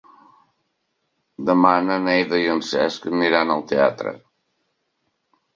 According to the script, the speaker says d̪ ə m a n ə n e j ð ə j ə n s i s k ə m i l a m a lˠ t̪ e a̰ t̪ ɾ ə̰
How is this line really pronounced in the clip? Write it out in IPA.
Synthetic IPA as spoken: d̪ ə m a n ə n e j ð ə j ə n s ɛ s k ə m i ɾ a n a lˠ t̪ e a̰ t̪ ɾ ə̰